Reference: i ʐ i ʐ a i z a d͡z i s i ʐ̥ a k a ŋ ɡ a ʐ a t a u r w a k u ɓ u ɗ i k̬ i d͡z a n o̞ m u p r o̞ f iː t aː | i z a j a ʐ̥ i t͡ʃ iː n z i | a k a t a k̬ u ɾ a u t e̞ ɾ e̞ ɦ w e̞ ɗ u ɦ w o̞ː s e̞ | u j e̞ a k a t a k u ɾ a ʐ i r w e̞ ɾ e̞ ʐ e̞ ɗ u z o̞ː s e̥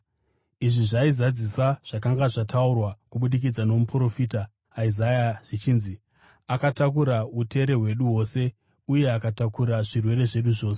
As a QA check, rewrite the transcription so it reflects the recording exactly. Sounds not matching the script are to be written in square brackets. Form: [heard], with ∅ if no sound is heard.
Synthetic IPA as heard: i ʐ i ʐ a i z a d͡z i s [a] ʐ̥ a k a ŋ ɡ a ʐ a t a u r w a k u ɓ u ɗ i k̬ i d͡z a n o̞ m u p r o̞ f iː t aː | i z a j a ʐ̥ i t͡ʃ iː n z i | a k a t a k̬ u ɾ a u t e̞ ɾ e̞ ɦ w e̞ ɗ u ɦ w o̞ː s e̞ | u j e̞ a k a t a k u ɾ a ʐ i r w e̞ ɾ e̞ ʐ e̞ ɗ u [ʐ] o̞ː s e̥